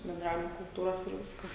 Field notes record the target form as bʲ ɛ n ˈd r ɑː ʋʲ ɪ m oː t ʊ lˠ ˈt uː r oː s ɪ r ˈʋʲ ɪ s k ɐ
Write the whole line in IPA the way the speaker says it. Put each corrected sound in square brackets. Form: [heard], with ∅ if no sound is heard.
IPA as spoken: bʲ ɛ n ˈd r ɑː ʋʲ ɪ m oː [k] ʊ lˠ ˈt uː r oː s ɪ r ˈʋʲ ɪ s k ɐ